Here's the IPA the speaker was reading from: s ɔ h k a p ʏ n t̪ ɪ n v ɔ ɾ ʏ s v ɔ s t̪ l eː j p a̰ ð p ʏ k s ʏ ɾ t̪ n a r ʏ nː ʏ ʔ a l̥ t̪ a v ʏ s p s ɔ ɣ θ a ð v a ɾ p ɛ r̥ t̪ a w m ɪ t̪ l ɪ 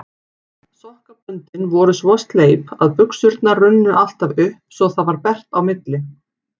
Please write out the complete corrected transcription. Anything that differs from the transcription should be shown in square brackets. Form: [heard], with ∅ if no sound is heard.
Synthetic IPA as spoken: s ɔ h k a p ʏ n t̪ ɪ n v ɔ ɾ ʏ s v ɔ s t̪ l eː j p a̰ ð p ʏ k s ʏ ɾ t̪ n a r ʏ nː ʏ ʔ a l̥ t̪ a v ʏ [h] p s ɔ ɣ θ a ð v a ɾ p ɛ r̥ t̪ a w m ɪ t̪ l ɪ